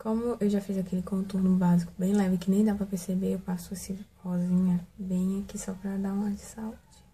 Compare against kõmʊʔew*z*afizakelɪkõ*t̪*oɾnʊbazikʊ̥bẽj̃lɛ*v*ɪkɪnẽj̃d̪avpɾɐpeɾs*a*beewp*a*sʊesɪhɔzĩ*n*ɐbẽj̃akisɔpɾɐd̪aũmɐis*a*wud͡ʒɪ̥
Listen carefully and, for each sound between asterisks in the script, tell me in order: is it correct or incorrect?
incorrect: ʒ, correct, correct, incorrect: e, correct, incorrect: ɲ, correct

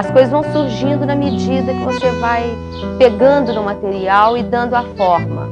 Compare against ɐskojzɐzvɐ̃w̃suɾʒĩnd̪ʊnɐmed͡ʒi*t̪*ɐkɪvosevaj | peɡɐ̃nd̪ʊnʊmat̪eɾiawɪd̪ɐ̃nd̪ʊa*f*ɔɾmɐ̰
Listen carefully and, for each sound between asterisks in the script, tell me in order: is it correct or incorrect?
incorrect: d̪, correct

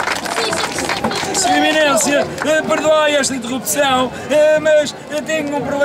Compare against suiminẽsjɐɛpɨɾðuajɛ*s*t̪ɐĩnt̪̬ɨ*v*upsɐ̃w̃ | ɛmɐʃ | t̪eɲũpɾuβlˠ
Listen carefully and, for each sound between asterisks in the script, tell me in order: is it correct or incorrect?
incorrect: ʃ, incorrect: ʁ

